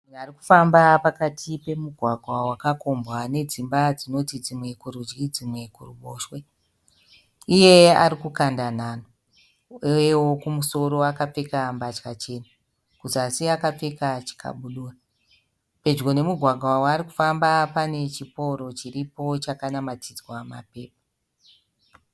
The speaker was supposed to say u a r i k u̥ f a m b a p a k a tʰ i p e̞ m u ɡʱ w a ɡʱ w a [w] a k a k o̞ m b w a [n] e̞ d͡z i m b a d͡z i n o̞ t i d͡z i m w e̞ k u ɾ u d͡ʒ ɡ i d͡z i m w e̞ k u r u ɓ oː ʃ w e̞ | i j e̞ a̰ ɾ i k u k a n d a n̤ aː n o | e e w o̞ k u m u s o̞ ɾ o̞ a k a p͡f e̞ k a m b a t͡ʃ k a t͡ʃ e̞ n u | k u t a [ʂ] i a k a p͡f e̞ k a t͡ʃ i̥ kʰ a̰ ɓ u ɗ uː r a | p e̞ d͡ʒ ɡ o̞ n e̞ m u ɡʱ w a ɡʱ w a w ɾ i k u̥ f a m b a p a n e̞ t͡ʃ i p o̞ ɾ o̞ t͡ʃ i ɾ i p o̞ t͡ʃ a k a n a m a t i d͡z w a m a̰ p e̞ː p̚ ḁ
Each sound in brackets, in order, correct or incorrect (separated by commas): correct, correct, incorrect